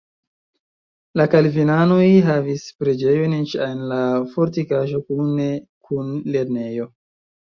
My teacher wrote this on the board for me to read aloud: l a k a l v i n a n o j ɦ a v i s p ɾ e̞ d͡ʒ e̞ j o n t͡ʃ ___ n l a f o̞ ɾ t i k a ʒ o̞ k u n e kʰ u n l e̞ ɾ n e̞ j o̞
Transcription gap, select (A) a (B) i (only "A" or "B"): A